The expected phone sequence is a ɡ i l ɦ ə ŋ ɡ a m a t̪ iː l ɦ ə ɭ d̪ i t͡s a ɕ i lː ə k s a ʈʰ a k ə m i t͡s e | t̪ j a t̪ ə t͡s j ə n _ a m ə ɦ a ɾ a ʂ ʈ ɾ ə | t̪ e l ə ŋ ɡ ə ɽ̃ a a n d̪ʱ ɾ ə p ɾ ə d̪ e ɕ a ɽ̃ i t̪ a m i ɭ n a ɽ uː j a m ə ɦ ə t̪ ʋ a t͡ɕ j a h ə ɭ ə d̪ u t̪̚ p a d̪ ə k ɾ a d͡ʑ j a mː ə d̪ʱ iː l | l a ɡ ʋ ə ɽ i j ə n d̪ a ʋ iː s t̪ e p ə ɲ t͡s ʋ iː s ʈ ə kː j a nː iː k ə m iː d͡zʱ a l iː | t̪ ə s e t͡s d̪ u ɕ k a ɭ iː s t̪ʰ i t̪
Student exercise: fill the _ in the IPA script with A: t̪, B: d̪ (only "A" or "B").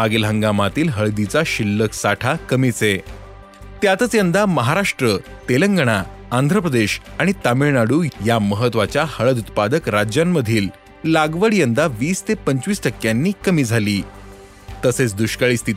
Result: B